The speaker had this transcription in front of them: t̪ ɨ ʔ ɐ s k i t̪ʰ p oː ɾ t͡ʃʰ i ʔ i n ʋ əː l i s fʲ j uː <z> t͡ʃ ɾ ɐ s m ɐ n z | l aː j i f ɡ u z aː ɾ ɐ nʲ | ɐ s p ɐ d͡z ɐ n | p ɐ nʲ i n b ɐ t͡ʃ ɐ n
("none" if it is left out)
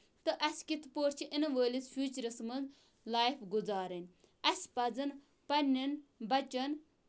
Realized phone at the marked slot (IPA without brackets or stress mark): none